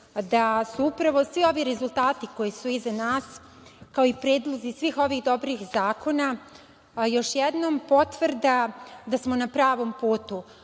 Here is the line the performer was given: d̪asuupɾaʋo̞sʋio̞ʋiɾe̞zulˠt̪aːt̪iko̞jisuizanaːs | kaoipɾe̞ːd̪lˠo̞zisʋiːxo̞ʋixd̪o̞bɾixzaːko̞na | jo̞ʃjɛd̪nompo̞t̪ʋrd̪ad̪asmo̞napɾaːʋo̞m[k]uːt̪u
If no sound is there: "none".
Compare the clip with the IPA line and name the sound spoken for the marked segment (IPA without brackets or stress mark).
p